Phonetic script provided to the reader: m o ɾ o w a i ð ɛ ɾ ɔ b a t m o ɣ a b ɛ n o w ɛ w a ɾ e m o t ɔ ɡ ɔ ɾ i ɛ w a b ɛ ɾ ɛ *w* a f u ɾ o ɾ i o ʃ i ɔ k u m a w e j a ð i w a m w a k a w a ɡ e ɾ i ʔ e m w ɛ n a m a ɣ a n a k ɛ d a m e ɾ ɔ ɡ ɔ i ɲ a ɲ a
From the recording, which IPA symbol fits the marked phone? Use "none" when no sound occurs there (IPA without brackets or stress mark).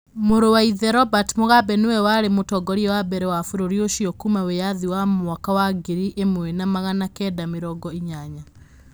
w